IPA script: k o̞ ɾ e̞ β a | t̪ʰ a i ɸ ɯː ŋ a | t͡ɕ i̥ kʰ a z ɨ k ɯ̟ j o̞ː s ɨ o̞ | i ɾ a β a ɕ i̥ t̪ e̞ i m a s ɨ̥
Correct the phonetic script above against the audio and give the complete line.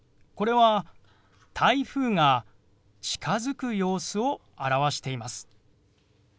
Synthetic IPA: k o̞ ɾ e̞ β a | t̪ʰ a i ɸ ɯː ŋ a | t͡ɕ i̥ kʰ a z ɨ k ɯ̟ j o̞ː s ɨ o̞ | a ɾ a β a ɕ i̥ t̪ e̞ i m a s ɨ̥

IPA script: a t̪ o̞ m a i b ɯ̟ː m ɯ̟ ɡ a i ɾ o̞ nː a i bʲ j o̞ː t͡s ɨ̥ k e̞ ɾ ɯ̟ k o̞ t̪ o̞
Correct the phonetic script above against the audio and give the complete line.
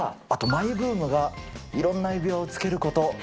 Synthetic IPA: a t̪ o̞ m a i b ɯ̟ː m ɯ̟ ɡ a i ɾ õ̞ nː a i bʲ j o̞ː t͡s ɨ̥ k e̞ ɾ ɯ̟ k o̞ t̪ o̞

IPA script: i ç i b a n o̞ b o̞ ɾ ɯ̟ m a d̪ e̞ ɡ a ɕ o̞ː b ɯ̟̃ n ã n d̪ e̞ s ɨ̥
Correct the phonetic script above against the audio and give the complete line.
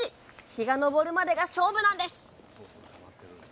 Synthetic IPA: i ç i ɡ a n o̞ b o̞ ɾ ɯ̟ m a d̪ e̞ ɡ a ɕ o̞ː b ɯ̟ n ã n d̪ e̞ s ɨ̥

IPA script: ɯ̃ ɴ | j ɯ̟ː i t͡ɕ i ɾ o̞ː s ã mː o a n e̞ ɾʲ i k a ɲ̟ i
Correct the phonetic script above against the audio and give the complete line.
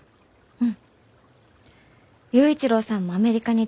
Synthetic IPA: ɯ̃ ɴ | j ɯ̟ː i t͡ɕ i ɾ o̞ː s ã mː o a m e̞ ɾʲ i k a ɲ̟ i

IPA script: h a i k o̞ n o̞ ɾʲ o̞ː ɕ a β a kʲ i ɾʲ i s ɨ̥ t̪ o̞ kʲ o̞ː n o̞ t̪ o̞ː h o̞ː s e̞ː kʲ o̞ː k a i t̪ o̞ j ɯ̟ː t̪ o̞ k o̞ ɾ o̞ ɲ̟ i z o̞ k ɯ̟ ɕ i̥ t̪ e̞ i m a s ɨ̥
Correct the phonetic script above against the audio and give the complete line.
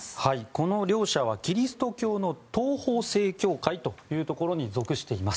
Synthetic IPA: h a i k o̞ n o̞ ɾʲ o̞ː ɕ a β a kʲ i ɾʲ i s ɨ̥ t̪ o̞ kʲ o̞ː n o̞ t̪ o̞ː h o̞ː s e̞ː kʲ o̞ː k a i t̪ o̞ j ɯ̟ː t̪ o̞ k o̞ ɾ o̞ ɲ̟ i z o̞ k ɯ̟ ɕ i̥ t̪ e̞ i m a s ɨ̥

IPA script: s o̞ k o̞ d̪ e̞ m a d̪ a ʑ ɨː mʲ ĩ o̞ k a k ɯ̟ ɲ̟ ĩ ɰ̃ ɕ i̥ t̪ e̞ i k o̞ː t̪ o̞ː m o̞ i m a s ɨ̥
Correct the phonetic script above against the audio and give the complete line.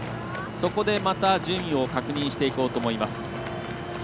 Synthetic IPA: s o̞ k o̞ d̪ e̞ m a t̪ a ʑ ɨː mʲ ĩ o̞ k a k ɯ̟ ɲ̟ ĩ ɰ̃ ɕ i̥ t̪ e̞ i k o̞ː t̪ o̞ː m o̞ i m a s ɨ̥

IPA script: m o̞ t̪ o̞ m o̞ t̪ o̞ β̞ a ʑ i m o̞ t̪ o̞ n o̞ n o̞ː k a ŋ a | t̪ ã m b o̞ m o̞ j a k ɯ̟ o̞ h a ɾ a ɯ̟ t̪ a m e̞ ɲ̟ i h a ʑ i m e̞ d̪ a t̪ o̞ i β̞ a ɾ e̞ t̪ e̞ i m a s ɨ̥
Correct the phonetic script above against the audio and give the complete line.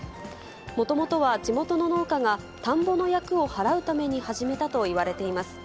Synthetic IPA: m o̞ t̪ o̞ m o̞ t̪ o̞ β̞ a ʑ i m o̞ t̪ o̞ n o̞ n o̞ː k a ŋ a | t̪ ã m b o̞ n o̞ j a k ɯ̟ o̞ h a ɾ a ɯ̟ t̪ a m e̞ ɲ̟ i h a ʑ i m e̞ t̪ a t̪ o̞ i β̞ a ɾ e̞ t̪ e̞ i m a s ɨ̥

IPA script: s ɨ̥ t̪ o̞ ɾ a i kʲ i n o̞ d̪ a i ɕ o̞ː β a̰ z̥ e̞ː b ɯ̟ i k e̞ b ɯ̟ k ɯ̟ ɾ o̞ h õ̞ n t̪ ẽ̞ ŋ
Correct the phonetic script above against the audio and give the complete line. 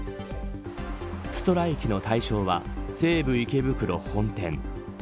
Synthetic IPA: s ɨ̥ t̪ o̞ ɾ a i kʲ i n o̞ t̪ a i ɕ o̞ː β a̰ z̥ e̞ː b ɯ̟ i k e̞ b ɯ̟ k ɯ̟ ɾ o̞ h õ̞ n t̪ ẽ̞ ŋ

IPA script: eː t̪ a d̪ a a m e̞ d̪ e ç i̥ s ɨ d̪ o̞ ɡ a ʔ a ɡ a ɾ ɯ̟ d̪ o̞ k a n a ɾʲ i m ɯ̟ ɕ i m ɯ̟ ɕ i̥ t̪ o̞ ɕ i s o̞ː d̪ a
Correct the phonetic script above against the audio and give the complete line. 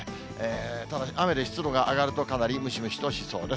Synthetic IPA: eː t̪ a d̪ a a m e̞ d̪ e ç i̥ t͡s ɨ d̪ o̞ ɡ a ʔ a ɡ a ɾ ɯ̟ t̪ o̞ k a n a ɾʲ i m ɯ̟ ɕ i m ɯ̟ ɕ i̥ t̪ o̞ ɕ i s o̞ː d̪ e

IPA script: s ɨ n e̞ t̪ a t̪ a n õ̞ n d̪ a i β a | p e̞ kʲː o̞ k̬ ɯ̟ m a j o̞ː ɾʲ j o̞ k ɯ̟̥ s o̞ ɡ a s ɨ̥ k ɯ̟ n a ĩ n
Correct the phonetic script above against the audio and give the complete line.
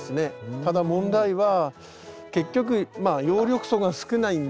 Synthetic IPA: s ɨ n e̞ t̪ a d̪ a m õ̞ n d̪ a i β a | k e̞ kʲː o̞ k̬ ɯ̟ m a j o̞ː ɾʲ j o̞ k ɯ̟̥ s o̞ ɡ a s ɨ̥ k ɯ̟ n a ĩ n

